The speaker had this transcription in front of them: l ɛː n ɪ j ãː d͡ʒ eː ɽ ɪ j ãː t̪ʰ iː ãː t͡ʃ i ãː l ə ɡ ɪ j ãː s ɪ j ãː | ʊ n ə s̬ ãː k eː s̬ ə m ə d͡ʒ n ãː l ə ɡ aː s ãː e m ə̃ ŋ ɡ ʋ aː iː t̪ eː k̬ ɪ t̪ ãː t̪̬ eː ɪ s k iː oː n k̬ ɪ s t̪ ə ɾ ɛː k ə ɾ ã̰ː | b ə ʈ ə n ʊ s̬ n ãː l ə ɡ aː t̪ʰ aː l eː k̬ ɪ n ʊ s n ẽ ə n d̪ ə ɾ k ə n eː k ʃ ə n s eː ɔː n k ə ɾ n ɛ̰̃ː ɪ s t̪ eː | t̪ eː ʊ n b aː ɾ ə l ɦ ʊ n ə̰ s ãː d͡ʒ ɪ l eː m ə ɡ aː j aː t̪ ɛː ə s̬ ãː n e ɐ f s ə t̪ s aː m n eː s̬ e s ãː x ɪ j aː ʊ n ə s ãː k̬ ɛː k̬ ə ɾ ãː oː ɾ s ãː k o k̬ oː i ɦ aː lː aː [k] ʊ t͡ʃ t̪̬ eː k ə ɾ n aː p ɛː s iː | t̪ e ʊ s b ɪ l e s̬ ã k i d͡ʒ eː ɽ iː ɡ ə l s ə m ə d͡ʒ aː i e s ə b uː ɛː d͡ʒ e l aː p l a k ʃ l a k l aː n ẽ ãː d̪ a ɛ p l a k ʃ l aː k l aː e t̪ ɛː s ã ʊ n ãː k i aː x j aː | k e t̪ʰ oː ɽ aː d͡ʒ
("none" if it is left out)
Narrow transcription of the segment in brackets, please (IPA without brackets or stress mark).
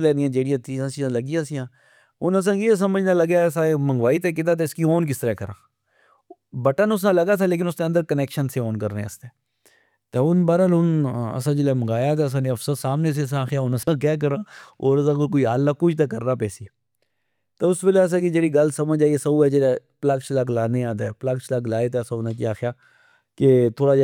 k